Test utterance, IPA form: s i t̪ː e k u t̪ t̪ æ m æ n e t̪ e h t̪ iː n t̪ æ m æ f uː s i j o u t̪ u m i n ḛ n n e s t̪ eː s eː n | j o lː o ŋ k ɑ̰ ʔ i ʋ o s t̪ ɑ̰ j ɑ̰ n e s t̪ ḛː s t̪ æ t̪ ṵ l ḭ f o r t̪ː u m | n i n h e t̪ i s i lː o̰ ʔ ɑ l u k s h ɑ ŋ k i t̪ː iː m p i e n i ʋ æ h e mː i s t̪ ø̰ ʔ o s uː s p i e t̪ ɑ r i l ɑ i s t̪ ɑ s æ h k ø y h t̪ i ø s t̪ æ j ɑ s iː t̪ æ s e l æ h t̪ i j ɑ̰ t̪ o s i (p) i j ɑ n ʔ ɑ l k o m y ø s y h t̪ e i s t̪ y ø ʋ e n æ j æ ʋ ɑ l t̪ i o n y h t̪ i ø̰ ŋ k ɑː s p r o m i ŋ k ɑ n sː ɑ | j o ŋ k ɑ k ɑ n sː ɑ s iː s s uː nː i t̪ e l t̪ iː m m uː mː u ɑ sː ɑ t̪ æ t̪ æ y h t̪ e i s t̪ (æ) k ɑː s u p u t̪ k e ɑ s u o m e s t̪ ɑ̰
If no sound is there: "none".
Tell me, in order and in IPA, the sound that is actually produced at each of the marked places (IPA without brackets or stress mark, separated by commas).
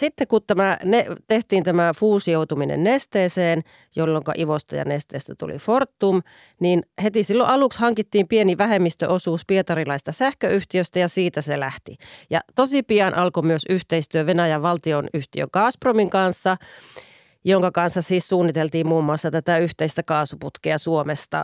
p, æ